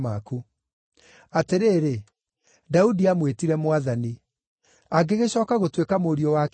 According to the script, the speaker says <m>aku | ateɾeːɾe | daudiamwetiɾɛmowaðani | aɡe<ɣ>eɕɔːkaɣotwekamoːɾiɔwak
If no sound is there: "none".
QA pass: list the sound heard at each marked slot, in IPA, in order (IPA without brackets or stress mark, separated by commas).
m, ɣ